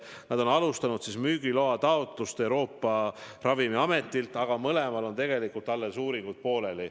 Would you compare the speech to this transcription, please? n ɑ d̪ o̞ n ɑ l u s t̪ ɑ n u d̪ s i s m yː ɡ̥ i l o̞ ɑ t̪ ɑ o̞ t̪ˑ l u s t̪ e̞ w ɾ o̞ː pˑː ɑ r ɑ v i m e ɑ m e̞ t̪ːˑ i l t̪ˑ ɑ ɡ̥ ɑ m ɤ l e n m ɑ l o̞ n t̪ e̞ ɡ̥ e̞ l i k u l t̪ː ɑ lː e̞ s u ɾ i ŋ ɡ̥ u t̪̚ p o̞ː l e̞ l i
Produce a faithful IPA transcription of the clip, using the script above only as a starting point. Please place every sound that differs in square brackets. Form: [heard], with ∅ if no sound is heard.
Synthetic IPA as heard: n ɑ d̪ o̞ n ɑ l u s t̪ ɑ n u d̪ s i s m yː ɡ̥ i l o̞ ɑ t̪ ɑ o̞ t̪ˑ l u s t̪ e̞ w ɾ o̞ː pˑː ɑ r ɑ v i m [i] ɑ m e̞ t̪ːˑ i l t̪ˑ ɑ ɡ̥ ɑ m ɤ l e [∅] m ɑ l o̞ n t̪ e̞ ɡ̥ e̞ l i k u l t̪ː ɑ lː e̞ s [uː] ɾ i ŋ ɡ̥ u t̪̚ p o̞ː l e̞ l i